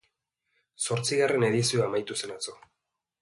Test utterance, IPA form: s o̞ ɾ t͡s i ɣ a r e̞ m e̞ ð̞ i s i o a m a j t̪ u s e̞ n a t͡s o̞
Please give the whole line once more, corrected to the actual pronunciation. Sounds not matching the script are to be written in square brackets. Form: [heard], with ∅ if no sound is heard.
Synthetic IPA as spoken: s o̞ ɾ t͡s i ɣ a r e̞ [n] e̞ ð̞ i s i o a m a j t̪ u s e̞ n a t͡s o̞